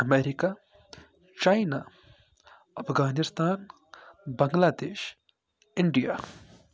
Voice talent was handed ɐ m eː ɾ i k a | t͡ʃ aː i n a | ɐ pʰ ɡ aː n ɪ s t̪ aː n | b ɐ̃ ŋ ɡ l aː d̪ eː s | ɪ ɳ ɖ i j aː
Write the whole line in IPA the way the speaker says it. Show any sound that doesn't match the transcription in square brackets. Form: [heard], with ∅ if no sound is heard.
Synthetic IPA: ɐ m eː ɾ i k a | t͡ʃ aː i n a | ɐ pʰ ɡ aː n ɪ s t̪ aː n | b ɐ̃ ŋ ɡ l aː d̪ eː [ʃ] | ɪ ɳ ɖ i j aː